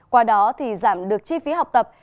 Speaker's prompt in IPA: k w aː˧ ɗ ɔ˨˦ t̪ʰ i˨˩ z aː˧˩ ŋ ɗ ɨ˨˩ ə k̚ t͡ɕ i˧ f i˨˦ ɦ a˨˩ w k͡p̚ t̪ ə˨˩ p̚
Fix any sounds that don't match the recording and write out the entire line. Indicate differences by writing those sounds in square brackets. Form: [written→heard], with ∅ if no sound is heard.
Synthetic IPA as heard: k w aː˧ ɗ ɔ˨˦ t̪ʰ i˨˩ z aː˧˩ [ŋ→m] ɗ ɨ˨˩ ə k̚ t͡ɕ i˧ f i˨˦ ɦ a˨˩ w k͡p̚ t̪ ə˨˩ p̚